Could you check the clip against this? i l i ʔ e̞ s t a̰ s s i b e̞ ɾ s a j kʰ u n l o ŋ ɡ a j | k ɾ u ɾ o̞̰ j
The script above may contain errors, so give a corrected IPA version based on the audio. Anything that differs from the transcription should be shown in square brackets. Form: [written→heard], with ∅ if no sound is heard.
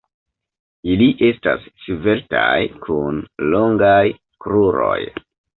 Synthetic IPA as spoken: i l i ʔ e̞ s t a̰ s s i [b→v] e̞ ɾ [s→t] a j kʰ u n l o ŋ ɡ a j | k ɾ u ɾ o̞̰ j

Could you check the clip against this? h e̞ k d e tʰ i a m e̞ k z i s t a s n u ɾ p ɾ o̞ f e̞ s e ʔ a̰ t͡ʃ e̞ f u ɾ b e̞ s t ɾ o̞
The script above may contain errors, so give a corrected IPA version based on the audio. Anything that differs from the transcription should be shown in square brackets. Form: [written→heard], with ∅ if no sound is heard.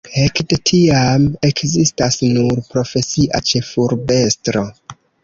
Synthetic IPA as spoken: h e̞ k d e tʰ i a m e̞ k z i s t a s n u ɾ p ɾ o̞ f e̞ s [e→i] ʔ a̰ t͡ʃ e̞ f u ɾ b e̞ s t ɾ o̞

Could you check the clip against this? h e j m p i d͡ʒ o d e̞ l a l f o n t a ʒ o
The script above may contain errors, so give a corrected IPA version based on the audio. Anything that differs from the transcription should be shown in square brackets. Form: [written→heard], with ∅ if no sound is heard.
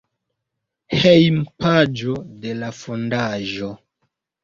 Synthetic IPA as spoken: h e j m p [i→a] d͡ʒ o d e̞ l a [l→∅] f o n [t→d] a ʒ o

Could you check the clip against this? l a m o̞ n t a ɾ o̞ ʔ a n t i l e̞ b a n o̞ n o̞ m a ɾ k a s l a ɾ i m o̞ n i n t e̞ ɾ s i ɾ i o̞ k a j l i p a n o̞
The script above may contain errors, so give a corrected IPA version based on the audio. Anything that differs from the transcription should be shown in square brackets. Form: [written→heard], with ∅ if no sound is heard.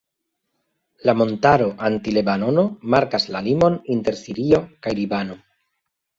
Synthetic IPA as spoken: l a m o̞ n t a ɾ o̞ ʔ a n t i l e̞ b a n o̞ n o̞ m a ɾ k a s l a [ɾ→l] i m o̞ n i n t e̞ ɾ s i ɾ i o̞ k a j l i [p→b] a n o̞

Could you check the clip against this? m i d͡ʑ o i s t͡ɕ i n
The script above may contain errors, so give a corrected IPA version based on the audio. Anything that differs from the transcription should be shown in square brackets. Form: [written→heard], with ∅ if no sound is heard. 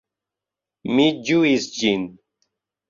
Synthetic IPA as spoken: m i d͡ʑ [o→u] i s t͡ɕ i n

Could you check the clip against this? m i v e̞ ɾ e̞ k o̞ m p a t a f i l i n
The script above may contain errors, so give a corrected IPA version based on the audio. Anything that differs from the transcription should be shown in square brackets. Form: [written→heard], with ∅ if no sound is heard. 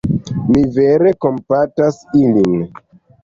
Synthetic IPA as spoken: m i v e̞ ɾ e̞ k o̞ m p a t a [f→s] i l i n

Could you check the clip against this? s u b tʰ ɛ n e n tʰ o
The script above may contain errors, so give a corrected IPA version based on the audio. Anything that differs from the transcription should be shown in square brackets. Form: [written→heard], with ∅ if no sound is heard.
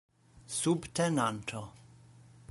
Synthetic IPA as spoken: s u b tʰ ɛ n [e→a] n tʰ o

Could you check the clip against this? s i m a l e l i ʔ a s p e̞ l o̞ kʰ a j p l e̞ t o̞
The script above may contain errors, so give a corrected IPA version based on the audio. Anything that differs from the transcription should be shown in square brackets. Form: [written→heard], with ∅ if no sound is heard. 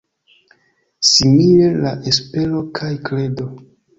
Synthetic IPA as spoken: s i m [a→i] l e l [i→a] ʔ [a→e] s p e̞ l o̞ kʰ a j [p→k] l e̞ [t→d] o̞

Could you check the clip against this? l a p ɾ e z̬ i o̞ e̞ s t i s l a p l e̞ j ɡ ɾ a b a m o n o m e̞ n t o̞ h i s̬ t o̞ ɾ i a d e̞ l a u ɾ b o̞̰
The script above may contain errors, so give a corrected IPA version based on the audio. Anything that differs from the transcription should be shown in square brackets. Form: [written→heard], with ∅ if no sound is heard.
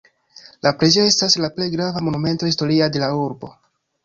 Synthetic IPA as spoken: l a p ɾ e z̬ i o̞ e̞ s t [i→a] s l a p l e̞ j ɡ ɾ a [b→v] a m o n [o→u] m e̞ n t o̞ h i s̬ t o̞ ɾ i a d e̞ l a u ɾ b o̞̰

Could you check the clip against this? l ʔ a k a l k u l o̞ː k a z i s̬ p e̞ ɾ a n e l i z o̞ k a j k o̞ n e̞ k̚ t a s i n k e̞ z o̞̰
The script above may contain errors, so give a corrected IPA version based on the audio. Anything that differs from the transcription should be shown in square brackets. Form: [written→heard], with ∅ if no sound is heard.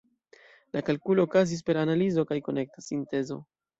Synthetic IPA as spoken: l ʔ a k a l k u l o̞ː k a z i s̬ p e̞ ɾ a n [e→a] l i z o̞ k a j k o̞ n e̞ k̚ t a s i n [k→t] e̞ z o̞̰

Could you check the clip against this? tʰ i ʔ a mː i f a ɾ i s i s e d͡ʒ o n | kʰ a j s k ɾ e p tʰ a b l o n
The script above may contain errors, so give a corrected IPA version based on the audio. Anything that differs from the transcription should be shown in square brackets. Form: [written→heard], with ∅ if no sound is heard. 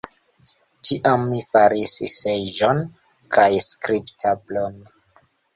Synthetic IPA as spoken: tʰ i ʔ a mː i f a ɾ i s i s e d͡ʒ o n | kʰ a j s k ɾ [e→i] p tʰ a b l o n

